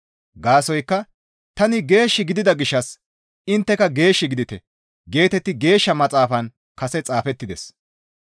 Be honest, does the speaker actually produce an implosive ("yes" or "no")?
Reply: no